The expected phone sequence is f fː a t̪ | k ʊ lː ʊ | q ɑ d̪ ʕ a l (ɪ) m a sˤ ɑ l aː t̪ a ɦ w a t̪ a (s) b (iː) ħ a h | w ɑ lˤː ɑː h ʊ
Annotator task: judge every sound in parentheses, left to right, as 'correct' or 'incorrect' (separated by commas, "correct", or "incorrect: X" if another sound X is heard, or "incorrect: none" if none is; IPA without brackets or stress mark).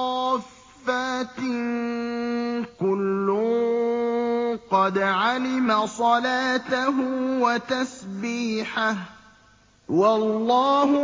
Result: correct, correct, correct